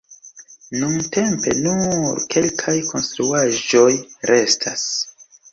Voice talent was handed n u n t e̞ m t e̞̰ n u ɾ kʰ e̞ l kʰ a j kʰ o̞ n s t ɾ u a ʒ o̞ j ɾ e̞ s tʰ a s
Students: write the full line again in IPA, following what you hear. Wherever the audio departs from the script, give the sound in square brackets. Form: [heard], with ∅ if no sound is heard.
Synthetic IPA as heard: n u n t e̞ m [p] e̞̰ n u ɾ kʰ e̞ l kʰ a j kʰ o̞ n s t ɾ u a ʒ o̞ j ɾ e̞ s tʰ a s